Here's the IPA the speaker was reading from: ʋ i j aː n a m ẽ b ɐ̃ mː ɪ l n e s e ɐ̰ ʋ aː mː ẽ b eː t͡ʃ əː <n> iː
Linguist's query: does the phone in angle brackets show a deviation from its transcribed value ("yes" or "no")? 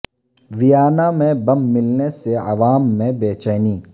no